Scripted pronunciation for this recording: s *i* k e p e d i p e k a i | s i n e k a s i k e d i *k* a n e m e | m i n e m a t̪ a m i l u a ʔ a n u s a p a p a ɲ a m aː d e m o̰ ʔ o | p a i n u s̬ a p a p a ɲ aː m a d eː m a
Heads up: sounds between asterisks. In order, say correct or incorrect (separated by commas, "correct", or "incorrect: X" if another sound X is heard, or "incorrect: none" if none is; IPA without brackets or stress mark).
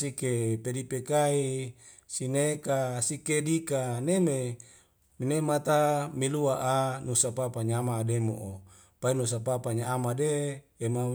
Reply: correct, correct